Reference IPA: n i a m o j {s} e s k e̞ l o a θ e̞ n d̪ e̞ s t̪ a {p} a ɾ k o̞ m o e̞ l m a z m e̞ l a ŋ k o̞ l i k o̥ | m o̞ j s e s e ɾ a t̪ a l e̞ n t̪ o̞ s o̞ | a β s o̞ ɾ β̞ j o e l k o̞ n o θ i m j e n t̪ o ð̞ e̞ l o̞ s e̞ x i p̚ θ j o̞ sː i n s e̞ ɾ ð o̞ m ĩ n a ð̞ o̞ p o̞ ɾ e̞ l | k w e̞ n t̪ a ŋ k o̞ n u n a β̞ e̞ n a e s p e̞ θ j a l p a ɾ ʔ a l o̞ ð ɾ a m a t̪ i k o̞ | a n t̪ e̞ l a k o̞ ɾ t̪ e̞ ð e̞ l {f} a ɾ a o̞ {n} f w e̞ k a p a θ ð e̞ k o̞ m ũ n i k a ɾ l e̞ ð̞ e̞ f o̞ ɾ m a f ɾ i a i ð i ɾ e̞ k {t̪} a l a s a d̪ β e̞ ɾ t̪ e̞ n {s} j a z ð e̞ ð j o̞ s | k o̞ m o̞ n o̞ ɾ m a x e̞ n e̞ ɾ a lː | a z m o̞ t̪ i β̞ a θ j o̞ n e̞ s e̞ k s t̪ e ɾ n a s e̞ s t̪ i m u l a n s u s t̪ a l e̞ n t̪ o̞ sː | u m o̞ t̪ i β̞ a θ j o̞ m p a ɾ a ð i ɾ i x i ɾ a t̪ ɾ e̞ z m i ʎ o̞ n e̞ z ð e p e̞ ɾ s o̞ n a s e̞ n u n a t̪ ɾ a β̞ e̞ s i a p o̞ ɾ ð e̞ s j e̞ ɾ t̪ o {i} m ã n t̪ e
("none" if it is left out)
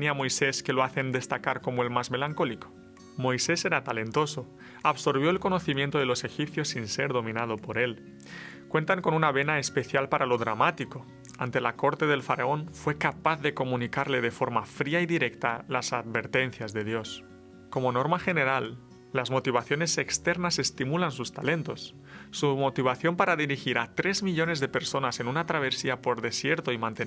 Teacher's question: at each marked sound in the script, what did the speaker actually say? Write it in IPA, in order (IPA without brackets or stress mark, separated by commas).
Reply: s, k, f, n, t̪, θ, i